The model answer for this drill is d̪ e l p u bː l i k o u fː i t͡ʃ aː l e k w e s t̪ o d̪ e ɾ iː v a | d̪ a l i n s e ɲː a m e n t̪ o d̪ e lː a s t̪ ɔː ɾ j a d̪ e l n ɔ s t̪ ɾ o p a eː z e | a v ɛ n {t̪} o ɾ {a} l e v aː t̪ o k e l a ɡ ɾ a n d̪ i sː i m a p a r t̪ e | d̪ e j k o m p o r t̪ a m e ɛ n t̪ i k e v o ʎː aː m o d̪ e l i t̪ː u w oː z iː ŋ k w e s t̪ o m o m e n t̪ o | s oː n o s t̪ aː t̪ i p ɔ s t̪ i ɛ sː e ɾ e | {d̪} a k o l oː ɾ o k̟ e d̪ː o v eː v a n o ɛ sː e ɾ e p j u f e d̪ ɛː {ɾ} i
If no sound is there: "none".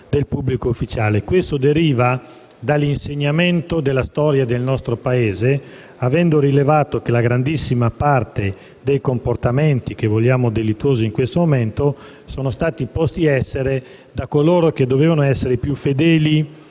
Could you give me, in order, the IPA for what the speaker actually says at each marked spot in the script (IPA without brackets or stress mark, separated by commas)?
d̪, i, d̪, l